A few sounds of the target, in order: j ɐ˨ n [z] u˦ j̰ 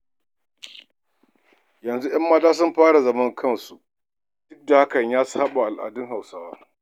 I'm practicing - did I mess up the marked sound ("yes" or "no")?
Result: no